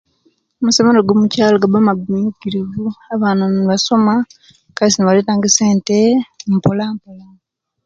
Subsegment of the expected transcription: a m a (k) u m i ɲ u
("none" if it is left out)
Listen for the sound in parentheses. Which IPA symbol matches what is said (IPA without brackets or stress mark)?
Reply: ɡ